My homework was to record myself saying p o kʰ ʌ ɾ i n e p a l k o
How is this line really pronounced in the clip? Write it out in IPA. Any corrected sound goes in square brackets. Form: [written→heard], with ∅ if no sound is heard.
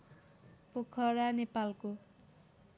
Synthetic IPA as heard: p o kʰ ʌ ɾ [i→a] n e p a l k o